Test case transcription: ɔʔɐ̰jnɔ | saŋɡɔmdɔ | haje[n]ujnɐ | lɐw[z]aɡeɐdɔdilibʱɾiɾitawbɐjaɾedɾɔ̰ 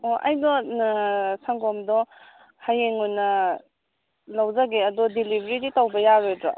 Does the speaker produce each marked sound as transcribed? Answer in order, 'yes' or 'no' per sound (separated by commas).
no, yes